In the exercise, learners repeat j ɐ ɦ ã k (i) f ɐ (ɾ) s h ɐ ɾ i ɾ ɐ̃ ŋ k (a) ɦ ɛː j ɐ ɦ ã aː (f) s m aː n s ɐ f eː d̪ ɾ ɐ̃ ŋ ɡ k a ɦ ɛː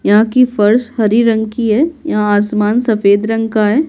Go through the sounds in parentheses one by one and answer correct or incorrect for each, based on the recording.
correct, correct, incorrect: i, incorrect: none

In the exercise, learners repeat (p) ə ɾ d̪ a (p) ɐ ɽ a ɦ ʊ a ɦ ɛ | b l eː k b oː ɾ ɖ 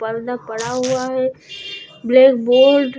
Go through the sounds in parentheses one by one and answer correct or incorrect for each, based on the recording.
correct, correct

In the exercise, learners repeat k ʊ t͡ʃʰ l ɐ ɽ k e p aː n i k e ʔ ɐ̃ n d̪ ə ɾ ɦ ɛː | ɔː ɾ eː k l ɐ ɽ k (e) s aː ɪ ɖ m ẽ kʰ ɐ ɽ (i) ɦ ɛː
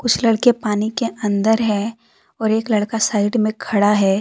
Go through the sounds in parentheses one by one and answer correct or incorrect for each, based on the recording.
incorrect: a, incorrect: a

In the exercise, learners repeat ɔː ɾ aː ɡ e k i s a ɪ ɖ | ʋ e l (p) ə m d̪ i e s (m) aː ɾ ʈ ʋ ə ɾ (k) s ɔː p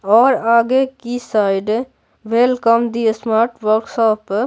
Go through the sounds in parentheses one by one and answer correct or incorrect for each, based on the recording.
incorrect: k, correct, correct

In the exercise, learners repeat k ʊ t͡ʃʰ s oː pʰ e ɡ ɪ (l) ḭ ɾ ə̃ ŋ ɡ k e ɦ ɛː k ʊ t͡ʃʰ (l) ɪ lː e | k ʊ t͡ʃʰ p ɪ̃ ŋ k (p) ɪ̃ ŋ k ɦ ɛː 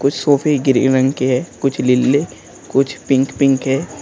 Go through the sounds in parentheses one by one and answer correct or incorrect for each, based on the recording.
incorrect: ɾ, correct, correct

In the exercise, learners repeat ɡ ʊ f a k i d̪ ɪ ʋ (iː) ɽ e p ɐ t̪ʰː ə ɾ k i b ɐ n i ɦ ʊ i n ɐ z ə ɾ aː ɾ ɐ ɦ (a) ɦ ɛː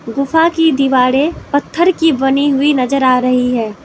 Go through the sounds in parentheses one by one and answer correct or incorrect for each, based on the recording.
incorrect: aː, incorrect: i

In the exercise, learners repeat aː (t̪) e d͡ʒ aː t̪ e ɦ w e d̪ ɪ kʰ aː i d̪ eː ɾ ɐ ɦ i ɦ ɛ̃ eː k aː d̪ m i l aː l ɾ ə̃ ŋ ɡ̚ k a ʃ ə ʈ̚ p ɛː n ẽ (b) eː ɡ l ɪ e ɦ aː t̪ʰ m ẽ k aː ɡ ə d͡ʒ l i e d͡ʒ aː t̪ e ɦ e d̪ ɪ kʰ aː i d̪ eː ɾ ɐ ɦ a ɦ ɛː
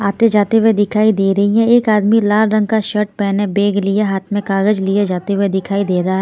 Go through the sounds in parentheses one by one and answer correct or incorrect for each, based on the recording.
correct, correct

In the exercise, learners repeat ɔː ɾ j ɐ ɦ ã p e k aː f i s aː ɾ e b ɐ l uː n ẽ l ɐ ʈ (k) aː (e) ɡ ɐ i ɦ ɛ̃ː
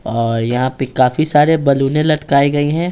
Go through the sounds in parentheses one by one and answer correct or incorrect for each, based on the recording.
correct, incorrect: i

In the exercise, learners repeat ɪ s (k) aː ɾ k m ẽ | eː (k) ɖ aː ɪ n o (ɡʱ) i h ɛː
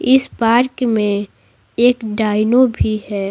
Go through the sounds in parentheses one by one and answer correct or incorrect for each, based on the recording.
incorrect: p, correct, incorrect: bʱ

